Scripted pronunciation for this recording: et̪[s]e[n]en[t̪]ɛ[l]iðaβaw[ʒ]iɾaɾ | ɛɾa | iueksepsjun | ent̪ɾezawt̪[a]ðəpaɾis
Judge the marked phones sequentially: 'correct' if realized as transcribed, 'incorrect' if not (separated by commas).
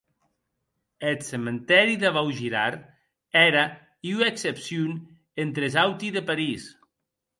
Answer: correct, incorrect, correct, incorrect, correct, incorrect